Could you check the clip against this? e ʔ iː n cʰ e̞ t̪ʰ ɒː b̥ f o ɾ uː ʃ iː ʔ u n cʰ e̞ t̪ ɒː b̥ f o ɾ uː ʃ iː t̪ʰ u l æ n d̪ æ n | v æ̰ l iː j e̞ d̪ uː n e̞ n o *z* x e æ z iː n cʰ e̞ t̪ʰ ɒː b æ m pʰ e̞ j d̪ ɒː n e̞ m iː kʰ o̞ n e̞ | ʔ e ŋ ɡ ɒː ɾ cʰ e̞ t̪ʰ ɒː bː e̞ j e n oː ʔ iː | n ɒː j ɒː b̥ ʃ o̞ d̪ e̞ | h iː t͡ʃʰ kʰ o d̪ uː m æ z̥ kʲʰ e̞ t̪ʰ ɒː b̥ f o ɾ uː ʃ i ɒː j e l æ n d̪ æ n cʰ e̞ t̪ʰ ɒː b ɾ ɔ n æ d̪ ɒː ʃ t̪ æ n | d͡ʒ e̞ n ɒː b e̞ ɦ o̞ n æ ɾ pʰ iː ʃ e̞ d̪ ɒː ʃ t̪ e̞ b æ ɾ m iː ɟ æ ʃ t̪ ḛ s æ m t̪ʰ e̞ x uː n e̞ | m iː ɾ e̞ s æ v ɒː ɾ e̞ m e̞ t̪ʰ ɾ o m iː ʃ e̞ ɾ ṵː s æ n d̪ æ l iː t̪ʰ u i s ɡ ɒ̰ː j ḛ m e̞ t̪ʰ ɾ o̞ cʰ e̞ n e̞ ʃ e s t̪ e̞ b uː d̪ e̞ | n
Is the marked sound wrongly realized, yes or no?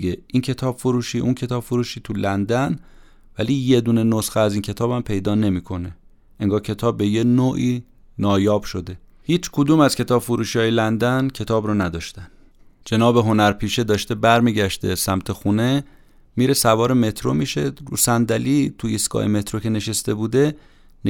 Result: yes